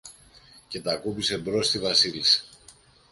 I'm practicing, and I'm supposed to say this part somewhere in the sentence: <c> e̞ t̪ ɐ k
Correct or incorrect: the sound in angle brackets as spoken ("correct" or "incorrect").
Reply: correct